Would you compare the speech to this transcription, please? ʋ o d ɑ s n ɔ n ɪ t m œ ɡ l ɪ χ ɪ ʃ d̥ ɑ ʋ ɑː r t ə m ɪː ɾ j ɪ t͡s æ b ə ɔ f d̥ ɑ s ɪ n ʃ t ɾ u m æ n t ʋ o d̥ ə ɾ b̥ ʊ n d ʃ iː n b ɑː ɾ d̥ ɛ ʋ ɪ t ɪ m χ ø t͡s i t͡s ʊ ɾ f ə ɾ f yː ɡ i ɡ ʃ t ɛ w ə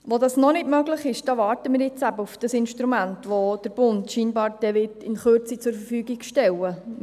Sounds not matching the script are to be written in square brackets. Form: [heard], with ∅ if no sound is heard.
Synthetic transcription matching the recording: ʋ o d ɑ s n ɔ n ɪ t m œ ɡ l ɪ χ ɪ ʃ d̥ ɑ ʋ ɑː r t ə m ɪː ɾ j ɪ t͡s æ b ə [u] f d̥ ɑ s ɪ n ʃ t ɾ u m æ n t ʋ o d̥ ə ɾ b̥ ʊ n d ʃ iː n b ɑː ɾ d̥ ɛ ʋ ɪ t ɪ [n] χ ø t͡s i t͡s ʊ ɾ f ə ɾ f yː ɡ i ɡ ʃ t ɛ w ə